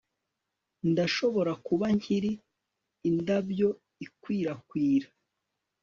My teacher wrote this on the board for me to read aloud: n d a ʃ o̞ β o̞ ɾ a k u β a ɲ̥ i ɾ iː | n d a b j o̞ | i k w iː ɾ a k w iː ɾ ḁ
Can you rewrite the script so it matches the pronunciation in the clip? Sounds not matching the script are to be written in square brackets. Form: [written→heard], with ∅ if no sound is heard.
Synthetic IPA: n d a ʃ o̞ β o̞ ɾ a k u β a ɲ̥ i ɾ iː | n d a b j o̞ | i k w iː ɾ a k w iː ɾ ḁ

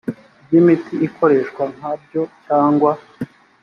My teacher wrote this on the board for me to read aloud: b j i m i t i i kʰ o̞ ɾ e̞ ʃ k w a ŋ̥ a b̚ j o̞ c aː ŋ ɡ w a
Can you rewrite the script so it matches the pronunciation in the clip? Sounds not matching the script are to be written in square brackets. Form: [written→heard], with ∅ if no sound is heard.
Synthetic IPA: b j i m i t i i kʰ o̞ ɾ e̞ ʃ k w a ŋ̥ a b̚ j o̞ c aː ŋ ɡ w a

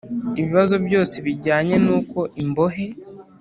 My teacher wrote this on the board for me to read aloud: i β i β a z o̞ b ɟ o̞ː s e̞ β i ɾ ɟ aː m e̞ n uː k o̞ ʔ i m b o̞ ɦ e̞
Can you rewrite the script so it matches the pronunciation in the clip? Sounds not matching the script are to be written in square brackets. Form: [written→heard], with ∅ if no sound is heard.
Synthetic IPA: i β i β a z o̞ b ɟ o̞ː s e̞ β i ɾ ɟ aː [m→ɲ] e̞ n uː k o̞ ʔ i m b o̞ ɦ e̞

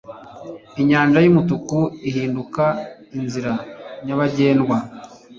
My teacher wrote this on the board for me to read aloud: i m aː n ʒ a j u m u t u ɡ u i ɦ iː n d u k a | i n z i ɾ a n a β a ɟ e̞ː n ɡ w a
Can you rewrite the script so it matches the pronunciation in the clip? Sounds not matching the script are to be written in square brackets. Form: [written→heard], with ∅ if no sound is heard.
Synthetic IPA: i [m→ɲ] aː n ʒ a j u m u t u [ɡ→k] u i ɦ iː n d u k a | i n z i ɾ a [n→ɲ] a β a ɟ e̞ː n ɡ w a

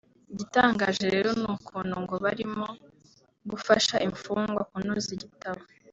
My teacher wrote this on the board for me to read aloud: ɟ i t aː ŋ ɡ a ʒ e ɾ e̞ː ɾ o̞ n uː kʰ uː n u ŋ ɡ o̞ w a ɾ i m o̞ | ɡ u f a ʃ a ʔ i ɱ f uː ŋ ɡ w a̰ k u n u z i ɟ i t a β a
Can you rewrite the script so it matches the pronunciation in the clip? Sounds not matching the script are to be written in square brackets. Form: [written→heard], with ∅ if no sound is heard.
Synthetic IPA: ɟ i t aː ŋ ɡ a ʒ e ɾ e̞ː ɾ o̞ n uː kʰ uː n u ŋ ɡ o̞ [w→β] a ɾ i m o̞ | ɡ u f a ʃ a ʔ i ɱ f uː ŋ ɡ w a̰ k u n u z i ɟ i t a β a

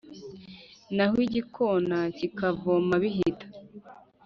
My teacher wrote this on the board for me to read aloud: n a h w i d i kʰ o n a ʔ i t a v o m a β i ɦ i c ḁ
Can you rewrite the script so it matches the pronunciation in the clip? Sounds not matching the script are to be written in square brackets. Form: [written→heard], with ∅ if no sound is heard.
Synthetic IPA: n a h w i [d→ɟ] i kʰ o n a [ʔ→c] i [t→k] a v o m a β i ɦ i [c→t] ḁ

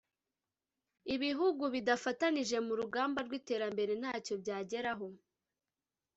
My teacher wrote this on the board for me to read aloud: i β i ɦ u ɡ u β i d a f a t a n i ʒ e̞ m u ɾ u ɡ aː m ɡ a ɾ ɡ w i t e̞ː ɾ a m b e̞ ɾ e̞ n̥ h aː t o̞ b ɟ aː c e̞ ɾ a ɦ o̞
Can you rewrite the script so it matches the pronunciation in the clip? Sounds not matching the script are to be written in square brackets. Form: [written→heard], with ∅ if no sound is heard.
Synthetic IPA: i β i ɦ u ɡ u β i d a f a t a n i ʒ e̞ m u ɾ u ɡ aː m [ɡ→b] a ɾ ɡ w i t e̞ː ɾ a m b e̞ ɾ e̞ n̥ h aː [t→c] o̞ b ɟ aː [c→ɟ] e̞ ɾ a ɦ o̞

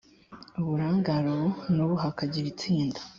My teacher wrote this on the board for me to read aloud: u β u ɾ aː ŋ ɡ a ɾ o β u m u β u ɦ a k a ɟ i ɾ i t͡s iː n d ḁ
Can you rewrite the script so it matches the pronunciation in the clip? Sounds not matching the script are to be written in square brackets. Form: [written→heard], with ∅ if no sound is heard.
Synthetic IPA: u β u ɾ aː ŋ ɡ a ɾ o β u [m→n] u β u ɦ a k a ɟ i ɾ i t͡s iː n d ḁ

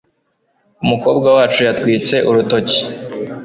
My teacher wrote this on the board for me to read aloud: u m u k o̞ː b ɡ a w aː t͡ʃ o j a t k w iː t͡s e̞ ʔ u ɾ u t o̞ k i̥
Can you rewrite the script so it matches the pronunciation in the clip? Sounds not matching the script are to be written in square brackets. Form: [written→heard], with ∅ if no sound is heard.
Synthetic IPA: u m u k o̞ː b ɡ a w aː t͡ʃ [o→u] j a t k w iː t͡s e̞ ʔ u ɾ u t o̞ [k→c] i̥

